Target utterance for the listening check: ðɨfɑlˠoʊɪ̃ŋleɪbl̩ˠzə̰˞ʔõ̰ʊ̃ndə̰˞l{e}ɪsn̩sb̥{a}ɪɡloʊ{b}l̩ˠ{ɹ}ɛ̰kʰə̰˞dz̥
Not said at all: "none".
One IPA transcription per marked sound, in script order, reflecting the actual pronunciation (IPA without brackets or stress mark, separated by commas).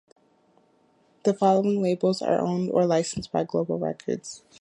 a, a, b, ɹ